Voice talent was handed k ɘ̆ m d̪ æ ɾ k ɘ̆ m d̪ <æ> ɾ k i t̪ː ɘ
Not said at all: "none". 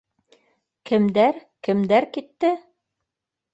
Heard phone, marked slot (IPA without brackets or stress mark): æ